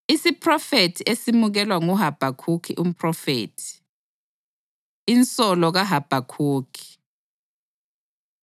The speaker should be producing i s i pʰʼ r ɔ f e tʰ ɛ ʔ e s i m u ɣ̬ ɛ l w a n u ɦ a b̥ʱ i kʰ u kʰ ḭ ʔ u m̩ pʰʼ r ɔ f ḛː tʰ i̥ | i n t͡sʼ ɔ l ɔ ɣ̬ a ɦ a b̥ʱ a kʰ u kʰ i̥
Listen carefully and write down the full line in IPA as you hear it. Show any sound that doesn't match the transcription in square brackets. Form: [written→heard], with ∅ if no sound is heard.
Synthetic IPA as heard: i s i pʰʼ r ɔ f e tʰ [ɛ→i] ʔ e s i m u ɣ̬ ɛ l w a [n→ŋ] u ɦ a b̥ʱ [i→a] kʰ u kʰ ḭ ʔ u m̩ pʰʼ r ɔ f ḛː tʰ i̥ | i n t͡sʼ ɔ l ɔ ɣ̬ a ɦ a b̥ʱ a kʰ [u→uː] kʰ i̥